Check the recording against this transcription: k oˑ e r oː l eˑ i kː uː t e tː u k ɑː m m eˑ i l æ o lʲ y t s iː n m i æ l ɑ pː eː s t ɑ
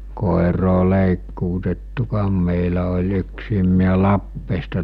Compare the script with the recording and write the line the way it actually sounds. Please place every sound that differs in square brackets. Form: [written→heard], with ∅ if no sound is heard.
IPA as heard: k oˑ e r oː l eˑ i kː uː t e tː u k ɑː m m eˑ i l æ o lʲ y [t→k] s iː [n→m] m i æ l ɑ pː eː s t ɑ